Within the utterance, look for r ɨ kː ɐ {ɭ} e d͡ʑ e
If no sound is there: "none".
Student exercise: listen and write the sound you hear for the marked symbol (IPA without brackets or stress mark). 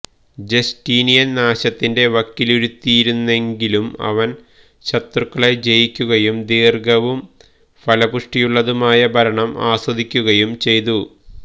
ɭ